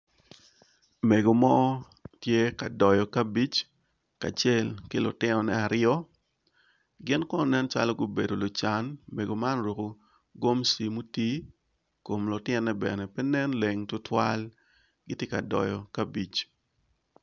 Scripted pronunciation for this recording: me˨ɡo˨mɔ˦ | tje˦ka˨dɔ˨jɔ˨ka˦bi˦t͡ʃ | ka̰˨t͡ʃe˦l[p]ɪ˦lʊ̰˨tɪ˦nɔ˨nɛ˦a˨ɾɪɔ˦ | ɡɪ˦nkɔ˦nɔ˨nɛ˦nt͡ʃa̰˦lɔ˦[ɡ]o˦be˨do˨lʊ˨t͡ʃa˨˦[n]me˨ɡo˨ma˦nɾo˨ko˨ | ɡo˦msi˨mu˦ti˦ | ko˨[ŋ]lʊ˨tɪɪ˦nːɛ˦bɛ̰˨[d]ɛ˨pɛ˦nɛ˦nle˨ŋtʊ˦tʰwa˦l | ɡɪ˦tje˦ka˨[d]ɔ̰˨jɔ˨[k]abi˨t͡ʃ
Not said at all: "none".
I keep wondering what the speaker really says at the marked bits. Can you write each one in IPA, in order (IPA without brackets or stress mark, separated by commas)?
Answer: k, ɡ, n, m, n, d, k